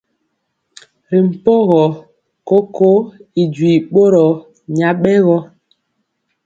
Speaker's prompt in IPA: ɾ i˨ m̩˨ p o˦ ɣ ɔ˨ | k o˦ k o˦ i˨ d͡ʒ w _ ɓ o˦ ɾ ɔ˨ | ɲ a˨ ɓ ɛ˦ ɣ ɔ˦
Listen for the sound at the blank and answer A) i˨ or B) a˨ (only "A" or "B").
A